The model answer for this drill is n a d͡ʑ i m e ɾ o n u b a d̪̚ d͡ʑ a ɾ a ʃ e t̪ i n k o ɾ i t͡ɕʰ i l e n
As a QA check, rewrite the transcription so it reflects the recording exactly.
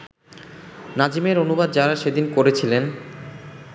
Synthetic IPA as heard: n a d͡ʑ i m e ɾ o n u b a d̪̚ d͡ʑ a ɾ a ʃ e d̪ i n k o ɾ e t͡ɕʰ i l e n